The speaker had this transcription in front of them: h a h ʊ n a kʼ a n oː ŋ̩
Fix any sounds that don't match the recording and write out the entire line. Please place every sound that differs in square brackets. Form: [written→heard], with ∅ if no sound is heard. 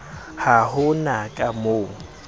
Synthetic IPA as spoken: h a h ʊ n a kʼ a [n→m] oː ŋ̩